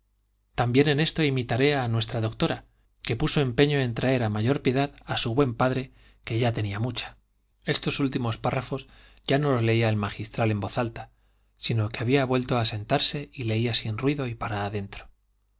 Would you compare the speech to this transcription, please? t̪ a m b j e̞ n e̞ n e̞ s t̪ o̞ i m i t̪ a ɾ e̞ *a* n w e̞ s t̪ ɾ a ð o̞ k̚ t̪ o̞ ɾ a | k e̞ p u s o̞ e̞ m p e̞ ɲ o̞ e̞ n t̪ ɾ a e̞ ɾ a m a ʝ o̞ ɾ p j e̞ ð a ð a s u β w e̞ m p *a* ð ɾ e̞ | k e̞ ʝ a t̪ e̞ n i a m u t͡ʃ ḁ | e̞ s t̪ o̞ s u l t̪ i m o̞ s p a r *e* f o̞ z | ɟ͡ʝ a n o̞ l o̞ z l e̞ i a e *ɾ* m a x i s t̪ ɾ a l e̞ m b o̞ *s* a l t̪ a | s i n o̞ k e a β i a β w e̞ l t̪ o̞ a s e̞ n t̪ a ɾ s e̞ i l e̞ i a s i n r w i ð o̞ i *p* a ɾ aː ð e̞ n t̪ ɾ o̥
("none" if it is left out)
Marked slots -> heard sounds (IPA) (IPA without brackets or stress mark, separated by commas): a, a, a, l, θ, p